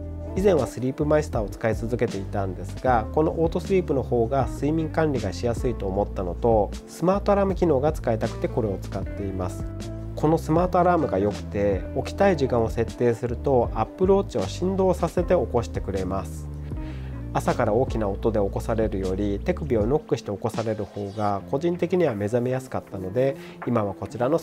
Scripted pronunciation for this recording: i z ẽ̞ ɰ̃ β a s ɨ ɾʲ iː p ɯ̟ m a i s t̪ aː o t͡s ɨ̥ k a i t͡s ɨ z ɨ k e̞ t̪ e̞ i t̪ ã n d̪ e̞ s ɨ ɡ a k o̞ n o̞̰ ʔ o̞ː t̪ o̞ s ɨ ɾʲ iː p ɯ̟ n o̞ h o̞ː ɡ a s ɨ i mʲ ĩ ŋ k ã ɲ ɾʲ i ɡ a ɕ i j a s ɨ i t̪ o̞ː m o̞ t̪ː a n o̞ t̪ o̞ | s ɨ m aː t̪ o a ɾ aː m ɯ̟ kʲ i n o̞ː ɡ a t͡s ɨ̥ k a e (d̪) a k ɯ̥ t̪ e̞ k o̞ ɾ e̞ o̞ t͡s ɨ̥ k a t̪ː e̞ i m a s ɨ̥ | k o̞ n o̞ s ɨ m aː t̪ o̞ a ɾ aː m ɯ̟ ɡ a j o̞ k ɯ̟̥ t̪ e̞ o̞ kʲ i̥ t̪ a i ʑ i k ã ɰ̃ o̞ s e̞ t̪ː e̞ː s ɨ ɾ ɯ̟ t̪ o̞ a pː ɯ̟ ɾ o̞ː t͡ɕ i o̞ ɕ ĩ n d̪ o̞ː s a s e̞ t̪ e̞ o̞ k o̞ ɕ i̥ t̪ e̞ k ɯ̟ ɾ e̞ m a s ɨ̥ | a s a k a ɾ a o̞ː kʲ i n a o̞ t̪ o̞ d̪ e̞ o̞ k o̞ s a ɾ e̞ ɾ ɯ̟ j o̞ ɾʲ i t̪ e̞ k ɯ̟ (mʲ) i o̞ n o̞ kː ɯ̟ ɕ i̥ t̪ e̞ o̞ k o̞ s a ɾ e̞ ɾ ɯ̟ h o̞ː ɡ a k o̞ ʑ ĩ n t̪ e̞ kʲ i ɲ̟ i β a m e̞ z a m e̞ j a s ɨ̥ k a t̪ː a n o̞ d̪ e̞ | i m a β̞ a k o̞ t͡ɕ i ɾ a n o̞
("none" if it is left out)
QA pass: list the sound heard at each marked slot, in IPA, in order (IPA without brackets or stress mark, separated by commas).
t̪, bʲ